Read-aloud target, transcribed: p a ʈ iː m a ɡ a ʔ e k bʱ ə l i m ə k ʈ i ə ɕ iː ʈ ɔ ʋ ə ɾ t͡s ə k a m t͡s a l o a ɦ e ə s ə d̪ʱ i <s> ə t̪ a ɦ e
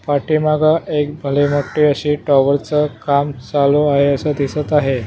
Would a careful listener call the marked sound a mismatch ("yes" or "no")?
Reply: no